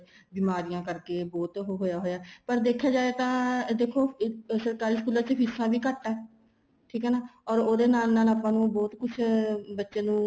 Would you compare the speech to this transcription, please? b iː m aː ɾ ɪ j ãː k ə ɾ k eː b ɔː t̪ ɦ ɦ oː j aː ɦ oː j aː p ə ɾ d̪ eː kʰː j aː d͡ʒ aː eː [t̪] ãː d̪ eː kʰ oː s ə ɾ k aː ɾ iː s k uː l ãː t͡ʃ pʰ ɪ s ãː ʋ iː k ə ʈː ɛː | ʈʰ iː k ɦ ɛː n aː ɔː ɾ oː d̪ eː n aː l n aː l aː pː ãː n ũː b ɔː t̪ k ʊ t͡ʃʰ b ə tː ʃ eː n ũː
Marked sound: correct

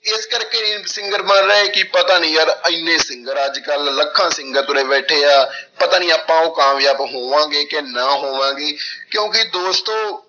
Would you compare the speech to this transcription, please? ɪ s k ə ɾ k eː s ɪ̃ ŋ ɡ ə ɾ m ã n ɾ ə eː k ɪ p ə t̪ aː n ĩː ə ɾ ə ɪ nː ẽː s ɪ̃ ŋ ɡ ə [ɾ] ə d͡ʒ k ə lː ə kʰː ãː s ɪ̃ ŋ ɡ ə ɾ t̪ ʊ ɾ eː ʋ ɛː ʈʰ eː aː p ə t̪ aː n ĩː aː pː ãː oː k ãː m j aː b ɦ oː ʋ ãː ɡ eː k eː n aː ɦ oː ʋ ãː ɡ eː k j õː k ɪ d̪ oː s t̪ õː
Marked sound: correct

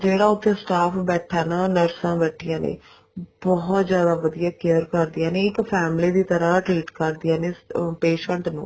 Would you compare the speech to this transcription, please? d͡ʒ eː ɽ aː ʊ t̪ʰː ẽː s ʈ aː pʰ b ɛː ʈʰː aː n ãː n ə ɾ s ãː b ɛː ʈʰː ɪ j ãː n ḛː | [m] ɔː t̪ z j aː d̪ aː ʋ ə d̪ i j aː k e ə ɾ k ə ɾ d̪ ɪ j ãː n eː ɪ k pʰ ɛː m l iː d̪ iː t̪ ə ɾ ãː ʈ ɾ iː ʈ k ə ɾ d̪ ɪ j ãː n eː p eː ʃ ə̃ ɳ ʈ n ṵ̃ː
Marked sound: incorrect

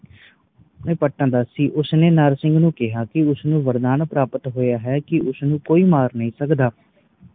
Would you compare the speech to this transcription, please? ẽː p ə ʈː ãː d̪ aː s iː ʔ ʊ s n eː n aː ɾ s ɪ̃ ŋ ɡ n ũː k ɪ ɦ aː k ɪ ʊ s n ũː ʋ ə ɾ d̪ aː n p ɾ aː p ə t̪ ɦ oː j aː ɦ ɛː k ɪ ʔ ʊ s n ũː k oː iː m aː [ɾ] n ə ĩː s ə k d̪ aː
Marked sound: correct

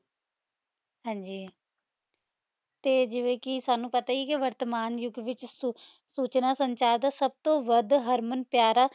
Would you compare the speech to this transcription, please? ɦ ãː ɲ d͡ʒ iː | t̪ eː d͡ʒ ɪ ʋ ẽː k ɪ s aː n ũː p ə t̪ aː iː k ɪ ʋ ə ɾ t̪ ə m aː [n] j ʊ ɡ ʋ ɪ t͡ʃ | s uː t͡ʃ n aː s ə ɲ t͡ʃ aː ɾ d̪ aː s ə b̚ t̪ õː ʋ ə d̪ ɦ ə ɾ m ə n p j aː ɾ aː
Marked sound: correct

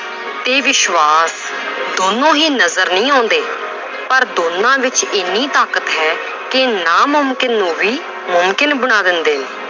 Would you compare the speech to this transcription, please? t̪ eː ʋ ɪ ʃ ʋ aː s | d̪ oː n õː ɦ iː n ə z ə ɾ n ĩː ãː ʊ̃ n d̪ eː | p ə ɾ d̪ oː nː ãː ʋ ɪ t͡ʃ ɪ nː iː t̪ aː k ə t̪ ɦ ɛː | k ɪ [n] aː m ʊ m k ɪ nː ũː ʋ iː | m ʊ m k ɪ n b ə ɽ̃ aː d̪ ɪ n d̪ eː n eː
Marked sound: correct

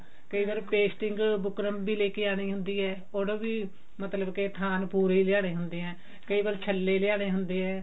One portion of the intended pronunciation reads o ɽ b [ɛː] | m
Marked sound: incorrect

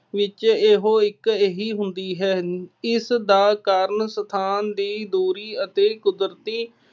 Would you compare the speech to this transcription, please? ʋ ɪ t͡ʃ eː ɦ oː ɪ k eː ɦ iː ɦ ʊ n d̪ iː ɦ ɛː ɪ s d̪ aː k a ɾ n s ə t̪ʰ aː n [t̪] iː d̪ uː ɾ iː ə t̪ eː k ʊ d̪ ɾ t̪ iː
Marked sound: incorrect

